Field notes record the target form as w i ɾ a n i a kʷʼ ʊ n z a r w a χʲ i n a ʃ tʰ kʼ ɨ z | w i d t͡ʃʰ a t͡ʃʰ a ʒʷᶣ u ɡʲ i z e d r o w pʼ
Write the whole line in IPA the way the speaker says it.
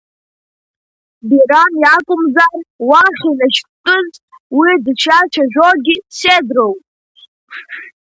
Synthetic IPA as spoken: b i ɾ a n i a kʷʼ ʊ m z a r w a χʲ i n a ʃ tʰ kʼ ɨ z | w i d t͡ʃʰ a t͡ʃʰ a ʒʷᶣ o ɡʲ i s e d r o w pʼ